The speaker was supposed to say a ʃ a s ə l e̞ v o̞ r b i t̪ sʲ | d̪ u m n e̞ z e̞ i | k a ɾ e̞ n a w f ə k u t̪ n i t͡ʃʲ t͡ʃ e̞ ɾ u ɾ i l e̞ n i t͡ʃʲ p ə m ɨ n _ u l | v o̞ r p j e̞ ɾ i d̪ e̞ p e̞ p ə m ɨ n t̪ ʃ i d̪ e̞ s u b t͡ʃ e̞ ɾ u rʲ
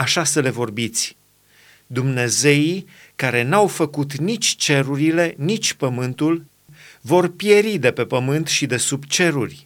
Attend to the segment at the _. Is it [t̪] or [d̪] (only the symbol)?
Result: t̪